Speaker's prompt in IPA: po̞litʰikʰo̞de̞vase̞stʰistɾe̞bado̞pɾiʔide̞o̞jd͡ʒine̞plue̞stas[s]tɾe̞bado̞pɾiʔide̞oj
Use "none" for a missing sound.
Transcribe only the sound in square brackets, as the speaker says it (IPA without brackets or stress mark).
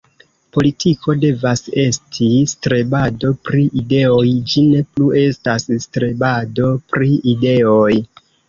s